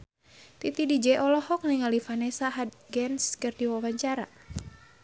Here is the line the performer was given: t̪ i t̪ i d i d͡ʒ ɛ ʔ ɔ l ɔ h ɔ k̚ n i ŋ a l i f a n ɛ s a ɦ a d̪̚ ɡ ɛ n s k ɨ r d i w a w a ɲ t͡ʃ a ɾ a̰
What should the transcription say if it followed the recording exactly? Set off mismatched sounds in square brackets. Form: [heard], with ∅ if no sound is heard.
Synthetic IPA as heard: t̪ i t̪ i d i d͡ʒ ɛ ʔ ɔ l ɔ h ɔ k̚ n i ŋ a l i f a n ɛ s a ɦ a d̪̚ ɡ ɛ n s k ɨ r d i w a w a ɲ t͡ʃ a ɾ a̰